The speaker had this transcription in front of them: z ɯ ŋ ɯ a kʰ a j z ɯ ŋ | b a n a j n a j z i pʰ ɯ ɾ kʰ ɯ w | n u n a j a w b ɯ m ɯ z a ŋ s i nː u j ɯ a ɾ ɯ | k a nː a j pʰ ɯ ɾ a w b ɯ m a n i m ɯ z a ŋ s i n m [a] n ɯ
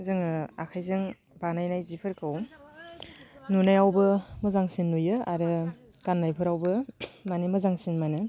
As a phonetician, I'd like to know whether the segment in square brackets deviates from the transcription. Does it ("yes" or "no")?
no